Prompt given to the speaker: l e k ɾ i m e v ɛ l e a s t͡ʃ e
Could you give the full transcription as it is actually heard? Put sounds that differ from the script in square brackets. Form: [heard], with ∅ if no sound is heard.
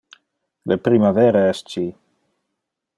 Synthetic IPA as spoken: l e [p] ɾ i m [a] v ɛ [ɾ] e [ɛ] s t͡ʃ [i]